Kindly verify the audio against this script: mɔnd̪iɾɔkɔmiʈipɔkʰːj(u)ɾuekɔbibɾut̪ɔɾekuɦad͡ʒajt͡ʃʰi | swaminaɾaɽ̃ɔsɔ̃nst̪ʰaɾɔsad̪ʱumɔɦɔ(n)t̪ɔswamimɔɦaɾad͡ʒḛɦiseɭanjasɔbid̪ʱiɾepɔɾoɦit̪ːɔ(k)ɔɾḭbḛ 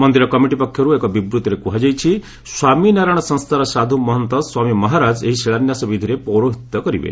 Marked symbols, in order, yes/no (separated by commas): no, yes, yes